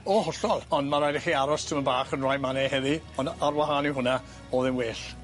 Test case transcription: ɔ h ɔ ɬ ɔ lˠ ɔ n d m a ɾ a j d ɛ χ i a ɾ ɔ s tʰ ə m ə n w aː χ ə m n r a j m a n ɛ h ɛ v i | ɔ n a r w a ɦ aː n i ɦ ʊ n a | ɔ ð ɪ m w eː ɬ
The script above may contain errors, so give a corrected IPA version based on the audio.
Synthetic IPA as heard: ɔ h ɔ ɬ ɔ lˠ ɔ n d m a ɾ a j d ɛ χ i a ɾ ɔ s tʰ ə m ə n b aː χ ə n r a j m a n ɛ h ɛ ð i | ɔ n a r w a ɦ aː n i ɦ ʊ n a | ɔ ð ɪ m w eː ɬ